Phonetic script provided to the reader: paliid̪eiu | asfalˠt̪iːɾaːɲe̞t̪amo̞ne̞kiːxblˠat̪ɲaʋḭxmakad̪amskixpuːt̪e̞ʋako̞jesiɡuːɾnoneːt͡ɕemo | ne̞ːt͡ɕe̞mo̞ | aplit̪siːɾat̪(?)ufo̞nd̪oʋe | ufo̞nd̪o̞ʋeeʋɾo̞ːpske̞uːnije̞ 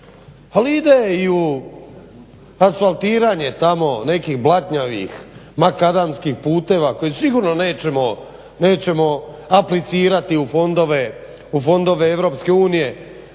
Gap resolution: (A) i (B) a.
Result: A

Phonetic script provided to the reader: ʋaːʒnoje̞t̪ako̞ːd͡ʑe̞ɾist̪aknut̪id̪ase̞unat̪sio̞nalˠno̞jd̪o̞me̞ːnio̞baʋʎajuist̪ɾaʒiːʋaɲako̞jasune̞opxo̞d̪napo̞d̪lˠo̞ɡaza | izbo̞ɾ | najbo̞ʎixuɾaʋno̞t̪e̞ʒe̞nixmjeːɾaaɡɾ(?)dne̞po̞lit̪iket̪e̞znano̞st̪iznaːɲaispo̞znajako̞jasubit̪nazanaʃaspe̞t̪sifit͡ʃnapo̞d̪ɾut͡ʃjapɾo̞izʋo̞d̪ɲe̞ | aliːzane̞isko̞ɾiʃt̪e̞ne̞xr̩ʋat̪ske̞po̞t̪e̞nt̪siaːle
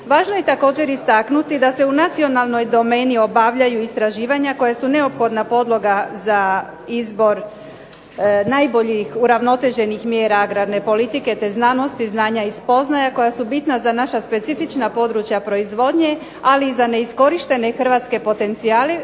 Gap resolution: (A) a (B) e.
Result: A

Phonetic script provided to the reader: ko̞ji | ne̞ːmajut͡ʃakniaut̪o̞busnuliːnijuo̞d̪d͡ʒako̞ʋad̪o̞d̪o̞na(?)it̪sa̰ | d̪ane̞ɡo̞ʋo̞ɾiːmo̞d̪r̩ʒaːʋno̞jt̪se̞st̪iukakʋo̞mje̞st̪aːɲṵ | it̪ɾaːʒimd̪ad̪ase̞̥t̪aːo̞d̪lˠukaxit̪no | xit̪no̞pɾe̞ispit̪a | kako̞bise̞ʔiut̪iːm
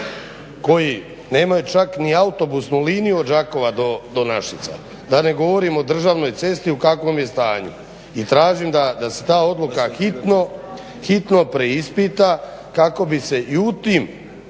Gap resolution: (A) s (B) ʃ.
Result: B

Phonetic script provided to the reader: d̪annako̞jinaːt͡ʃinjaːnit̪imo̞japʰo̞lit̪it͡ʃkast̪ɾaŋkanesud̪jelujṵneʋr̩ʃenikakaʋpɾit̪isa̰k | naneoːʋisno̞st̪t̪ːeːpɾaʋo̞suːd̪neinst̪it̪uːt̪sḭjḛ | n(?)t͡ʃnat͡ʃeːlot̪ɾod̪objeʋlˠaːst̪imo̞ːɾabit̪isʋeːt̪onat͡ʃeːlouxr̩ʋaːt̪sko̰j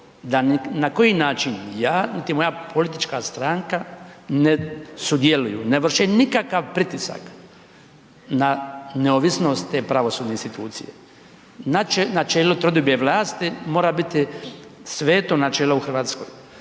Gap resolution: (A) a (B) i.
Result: A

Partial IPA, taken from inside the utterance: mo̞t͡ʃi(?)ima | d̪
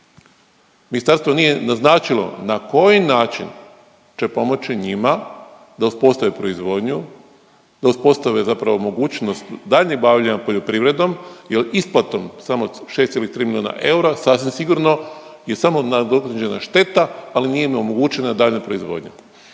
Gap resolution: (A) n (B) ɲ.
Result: B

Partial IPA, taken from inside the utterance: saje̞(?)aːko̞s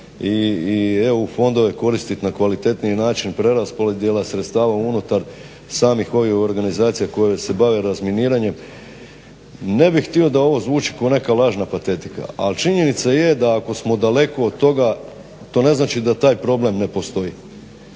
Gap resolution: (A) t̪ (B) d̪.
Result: B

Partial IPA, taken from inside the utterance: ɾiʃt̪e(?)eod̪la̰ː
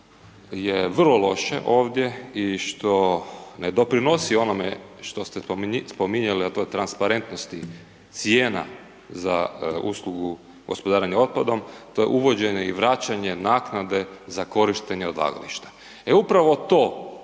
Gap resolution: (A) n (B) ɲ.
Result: B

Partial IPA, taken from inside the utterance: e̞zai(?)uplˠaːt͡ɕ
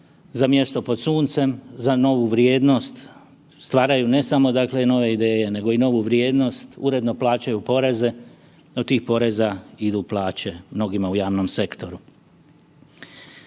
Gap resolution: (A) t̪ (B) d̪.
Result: B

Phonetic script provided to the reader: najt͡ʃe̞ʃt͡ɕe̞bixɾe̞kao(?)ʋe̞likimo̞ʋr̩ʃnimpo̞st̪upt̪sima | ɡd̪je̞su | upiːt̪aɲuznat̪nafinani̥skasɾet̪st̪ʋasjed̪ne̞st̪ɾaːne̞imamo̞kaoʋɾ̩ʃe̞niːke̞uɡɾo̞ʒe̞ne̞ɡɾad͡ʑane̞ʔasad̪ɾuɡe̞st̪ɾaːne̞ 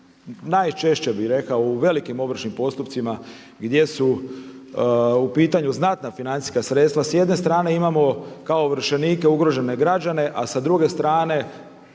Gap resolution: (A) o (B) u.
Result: B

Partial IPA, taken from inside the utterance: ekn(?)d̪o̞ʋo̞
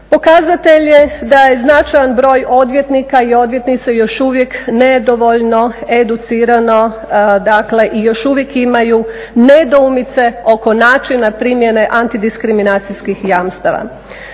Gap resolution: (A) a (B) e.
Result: B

